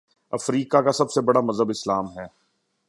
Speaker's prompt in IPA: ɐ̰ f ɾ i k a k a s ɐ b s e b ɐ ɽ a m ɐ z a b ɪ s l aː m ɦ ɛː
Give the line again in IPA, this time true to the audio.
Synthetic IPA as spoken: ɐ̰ f ɾ iː k a k a s ɐ b s e b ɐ ɽ a m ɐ z ə b ɪ s l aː m ɦ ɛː